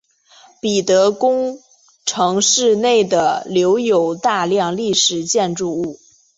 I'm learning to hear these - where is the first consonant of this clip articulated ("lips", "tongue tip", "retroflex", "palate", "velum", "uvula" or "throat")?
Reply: lips